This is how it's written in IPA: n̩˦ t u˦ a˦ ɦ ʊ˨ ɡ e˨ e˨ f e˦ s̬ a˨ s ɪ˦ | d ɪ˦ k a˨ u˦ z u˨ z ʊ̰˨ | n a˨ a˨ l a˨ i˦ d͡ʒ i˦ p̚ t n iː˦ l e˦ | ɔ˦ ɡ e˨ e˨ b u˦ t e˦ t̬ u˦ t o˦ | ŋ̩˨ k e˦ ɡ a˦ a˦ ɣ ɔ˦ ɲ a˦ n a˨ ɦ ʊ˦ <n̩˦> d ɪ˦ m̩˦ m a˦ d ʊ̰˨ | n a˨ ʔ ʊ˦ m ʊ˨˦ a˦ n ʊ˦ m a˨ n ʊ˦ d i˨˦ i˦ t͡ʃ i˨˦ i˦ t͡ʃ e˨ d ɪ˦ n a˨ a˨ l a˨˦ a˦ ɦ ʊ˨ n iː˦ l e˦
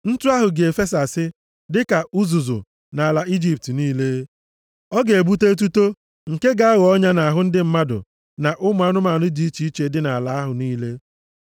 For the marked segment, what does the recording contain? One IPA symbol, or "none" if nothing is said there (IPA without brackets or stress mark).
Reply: n̩˦